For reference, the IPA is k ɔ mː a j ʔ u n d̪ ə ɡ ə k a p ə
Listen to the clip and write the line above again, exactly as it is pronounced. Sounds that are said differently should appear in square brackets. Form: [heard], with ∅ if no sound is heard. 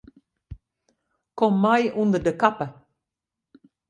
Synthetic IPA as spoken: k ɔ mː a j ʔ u n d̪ ə [d] ə k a p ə

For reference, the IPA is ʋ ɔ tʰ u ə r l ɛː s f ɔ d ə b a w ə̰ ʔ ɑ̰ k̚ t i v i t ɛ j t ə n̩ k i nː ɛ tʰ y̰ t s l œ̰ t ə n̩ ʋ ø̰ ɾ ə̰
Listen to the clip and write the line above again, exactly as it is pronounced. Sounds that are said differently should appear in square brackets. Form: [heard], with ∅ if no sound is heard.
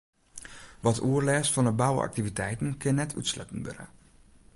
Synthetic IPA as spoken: ʋ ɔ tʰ u ə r l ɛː s f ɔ [n] ə b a w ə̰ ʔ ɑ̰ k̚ t i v i t ɛ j t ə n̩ k [ɪ] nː ɛ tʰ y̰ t s l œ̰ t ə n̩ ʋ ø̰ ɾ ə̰

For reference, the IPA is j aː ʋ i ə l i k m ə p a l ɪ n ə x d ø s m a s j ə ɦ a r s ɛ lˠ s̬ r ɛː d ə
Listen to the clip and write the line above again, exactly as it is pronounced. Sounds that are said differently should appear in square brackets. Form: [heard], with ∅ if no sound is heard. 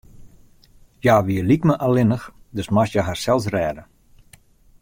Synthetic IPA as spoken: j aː ʋ i ə l i k m ə [ʔ] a l ɪ n ə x d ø s m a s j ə ɦ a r s ɛ lˠ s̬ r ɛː d ə

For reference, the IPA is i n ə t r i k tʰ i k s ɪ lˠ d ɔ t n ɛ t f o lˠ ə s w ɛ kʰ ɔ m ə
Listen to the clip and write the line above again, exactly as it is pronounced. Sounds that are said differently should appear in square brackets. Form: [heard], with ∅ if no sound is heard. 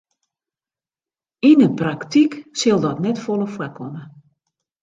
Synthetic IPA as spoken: i n ə [p] r [a] k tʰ i k s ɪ lˠ d ɔ t n ɛ t f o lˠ ə [f] w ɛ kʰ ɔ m ə

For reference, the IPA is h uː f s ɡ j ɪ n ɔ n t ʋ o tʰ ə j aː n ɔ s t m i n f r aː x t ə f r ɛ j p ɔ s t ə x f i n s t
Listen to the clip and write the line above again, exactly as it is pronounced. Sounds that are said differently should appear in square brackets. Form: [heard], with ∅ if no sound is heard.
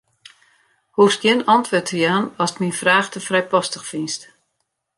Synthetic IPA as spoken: h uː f s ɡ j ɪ n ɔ n t ʋ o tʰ ə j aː n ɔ s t m i n f r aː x t ə f r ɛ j p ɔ s t ə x f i n s t

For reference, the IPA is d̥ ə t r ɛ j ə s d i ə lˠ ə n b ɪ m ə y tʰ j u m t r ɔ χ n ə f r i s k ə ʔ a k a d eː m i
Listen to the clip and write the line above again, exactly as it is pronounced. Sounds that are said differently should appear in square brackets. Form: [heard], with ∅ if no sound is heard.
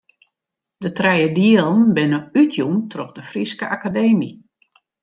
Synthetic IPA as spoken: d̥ ə t r ɛ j ə [∅] d i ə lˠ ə n b ɪ [n] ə y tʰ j u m t r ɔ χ [d] ə f r i s k ə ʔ a k a d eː m i

